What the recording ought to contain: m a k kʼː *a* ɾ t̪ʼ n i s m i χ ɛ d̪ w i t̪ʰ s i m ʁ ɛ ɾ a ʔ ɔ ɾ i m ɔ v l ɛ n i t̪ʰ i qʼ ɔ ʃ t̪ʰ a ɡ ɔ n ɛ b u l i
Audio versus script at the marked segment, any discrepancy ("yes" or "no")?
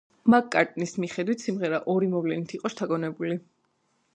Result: no